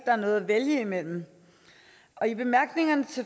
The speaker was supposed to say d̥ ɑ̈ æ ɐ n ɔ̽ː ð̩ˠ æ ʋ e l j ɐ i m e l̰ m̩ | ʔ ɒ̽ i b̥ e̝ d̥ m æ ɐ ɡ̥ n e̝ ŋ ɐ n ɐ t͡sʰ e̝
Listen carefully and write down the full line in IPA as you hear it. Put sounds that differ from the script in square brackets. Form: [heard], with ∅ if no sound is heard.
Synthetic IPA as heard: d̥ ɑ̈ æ ɐ n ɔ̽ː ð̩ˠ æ ʋ e l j [ə] i m e l̰ m̩ | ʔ ɒ̽ i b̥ e̝ [∅] m æ ɐ ɡ̥ n e̝ ŋ ɐ n [ə] t͡sʰ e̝